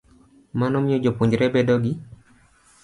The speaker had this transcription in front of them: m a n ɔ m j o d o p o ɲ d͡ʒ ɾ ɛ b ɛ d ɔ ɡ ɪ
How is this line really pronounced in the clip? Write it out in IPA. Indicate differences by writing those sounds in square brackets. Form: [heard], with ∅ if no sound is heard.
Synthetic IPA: m a n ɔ m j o [d͡ʒ] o p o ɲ d͡ʒ ɾ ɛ b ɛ d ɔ ɡ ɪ